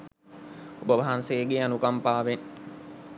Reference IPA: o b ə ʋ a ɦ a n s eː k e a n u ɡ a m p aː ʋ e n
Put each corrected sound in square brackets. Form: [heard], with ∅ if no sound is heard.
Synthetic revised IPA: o b ə ʋ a ɦ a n s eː [ɡ] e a n u [k] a m p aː ʋ e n